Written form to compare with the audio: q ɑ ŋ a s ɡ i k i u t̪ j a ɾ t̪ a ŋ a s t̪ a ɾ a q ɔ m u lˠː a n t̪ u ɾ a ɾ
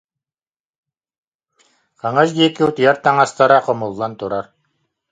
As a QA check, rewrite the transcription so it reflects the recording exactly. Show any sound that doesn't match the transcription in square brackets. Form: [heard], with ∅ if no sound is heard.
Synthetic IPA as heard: q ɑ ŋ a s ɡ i k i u t̪ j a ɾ t̪ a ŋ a s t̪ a ɾ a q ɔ m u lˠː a n t̪ u ɾ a ɾ